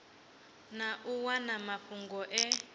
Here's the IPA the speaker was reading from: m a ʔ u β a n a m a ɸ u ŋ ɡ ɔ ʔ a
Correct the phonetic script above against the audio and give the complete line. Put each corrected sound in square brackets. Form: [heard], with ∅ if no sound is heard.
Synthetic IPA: [n] a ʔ u [w] a n a m a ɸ u ŋ ɡ ɔ ʔ [ɛ]